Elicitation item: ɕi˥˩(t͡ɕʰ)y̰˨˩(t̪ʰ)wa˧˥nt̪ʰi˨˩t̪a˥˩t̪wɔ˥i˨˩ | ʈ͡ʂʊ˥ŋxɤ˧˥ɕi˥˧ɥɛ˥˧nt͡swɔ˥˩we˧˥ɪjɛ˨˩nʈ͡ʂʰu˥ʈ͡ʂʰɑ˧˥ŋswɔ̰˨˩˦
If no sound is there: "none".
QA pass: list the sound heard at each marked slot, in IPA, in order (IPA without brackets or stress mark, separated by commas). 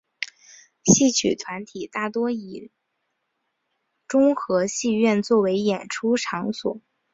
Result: t͡ɕʰ, t̪ʰ